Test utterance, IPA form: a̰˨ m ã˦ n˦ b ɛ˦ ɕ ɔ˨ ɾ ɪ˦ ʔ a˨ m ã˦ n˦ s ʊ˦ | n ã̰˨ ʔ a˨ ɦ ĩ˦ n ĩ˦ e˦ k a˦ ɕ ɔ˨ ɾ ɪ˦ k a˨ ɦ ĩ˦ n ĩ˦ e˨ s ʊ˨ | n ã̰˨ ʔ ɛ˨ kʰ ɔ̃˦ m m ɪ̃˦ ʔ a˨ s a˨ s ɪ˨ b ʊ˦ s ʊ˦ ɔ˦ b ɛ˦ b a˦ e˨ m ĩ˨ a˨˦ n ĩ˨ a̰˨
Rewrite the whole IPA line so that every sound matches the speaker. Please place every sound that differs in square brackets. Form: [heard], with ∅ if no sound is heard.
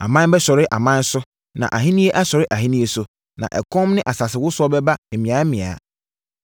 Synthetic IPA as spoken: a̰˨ m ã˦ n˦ b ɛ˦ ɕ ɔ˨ ɾ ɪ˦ ʔ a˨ m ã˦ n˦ s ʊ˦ | n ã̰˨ ʔ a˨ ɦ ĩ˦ n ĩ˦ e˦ [ʔ] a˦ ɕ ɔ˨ ɾ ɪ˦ [ʔ] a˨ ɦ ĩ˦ n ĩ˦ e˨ s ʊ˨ | n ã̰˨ ʔ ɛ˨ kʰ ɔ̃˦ m [n] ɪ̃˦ ʔ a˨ s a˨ s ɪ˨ [w] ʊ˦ s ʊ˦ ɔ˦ b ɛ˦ b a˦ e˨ m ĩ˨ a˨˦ [m] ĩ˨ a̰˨